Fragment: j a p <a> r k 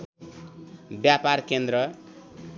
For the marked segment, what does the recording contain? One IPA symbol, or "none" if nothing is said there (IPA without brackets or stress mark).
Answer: a